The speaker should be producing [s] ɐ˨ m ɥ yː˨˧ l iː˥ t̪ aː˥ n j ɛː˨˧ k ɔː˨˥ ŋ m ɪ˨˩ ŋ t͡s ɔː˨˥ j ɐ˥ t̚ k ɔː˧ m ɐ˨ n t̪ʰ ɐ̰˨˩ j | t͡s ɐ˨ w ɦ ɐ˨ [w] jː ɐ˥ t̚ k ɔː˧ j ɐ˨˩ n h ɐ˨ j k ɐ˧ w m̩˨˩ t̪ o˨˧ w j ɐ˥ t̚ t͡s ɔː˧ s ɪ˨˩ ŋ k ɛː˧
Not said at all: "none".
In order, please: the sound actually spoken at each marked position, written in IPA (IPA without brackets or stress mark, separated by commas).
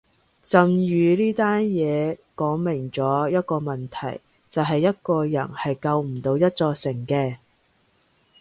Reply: t͡s, none